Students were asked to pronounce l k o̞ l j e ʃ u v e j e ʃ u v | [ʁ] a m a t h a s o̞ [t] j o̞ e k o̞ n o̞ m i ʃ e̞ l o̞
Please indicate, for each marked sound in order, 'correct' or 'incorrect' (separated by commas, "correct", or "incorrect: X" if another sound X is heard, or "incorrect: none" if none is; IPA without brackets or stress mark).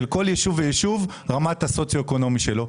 correct, incorrect: t͡s